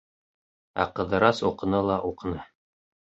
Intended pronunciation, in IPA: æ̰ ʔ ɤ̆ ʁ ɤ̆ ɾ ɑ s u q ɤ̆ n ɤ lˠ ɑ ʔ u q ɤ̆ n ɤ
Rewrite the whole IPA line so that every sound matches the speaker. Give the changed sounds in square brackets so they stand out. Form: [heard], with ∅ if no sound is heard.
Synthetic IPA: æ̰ [q] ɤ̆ [ð] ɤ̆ ɾ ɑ s u q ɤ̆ n ɤ lˠ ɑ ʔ u q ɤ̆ n ɤ